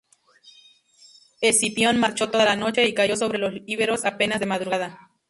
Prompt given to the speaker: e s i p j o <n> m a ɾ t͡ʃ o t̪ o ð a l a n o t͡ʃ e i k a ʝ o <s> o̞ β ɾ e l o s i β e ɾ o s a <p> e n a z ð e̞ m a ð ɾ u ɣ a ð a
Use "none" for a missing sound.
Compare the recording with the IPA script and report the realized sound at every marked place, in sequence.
n, s, p

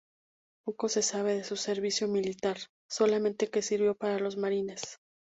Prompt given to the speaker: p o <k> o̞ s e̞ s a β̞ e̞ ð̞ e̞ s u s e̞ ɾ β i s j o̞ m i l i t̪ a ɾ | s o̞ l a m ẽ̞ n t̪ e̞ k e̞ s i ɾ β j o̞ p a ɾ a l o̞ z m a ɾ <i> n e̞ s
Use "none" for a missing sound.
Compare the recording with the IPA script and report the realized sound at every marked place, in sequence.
k, i

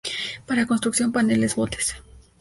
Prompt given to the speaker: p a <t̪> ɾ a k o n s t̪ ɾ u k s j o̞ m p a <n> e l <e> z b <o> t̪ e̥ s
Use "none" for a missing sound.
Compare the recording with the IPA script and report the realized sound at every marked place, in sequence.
none, n, e, o

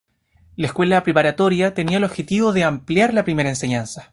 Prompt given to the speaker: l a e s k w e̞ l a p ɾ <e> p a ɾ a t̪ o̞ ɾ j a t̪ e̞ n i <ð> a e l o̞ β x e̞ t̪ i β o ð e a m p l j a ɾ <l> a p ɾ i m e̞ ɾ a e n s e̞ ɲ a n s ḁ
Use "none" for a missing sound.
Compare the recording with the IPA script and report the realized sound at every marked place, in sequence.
e, none, l

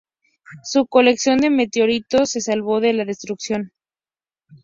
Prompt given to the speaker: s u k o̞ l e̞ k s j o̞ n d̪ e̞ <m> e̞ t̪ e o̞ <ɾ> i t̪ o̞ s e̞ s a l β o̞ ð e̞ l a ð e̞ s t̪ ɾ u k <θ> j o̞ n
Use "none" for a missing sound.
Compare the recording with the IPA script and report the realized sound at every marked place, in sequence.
m, ɾ, s

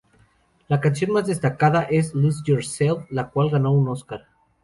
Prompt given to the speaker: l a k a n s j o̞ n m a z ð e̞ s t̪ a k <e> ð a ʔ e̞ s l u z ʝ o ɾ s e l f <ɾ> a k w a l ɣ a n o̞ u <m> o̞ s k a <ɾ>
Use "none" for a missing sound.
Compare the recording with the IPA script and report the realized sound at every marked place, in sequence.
a, l, n, ɾ

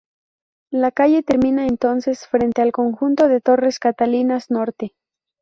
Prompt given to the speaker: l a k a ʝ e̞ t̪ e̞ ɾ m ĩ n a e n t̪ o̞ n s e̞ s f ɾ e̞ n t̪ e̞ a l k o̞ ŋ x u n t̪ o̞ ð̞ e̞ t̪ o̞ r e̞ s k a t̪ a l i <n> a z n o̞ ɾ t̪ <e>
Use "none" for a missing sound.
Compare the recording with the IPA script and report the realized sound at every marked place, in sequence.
n, e

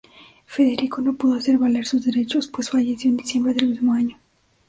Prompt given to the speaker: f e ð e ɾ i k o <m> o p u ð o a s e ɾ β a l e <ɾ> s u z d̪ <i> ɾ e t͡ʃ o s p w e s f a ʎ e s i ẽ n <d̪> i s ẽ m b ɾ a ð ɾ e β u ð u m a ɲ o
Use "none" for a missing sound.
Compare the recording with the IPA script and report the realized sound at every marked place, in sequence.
n, ɾ, e, d̪

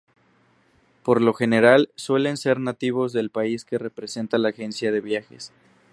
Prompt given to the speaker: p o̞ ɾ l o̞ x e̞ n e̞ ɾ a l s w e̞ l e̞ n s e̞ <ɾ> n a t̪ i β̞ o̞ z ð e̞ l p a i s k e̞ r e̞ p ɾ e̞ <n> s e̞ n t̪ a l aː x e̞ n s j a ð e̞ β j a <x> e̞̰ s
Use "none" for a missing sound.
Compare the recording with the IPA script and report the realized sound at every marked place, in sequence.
ɾ, none, x

